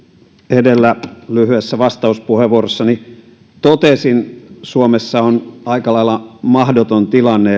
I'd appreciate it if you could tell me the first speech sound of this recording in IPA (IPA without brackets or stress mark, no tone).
e